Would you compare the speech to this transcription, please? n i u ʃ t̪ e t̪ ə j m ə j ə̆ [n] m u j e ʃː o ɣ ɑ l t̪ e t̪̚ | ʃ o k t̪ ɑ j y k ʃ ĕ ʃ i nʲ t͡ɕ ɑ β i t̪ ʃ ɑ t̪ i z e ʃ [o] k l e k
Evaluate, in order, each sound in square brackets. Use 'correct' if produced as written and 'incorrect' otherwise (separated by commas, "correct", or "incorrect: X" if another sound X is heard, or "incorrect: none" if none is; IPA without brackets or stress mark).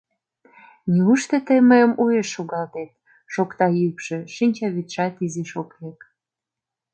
incorrect: none, correct